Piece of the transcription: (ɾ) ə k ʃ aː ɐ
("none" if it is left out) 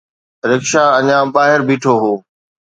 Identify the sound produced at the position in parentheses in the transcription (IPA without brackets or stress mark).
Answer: ɾ